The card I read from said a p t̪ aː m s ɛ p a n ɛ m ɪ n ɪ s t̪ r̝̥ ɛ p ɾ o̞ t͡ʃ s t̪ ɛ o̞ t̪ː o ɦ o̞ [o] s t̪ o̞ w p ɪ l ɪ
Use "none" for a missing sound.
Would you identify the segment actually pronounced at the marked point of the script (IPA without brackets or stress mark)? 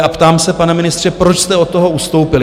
u